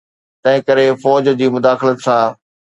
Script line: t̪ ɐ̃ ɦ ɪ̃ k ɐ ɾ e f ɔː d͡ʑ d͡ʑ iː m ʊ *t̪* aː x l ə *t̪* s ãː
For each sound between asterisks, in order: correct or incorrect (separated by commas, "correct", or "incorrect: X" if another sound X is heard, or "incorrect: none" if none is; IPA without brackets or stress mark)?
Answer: incorrect: d̪, correct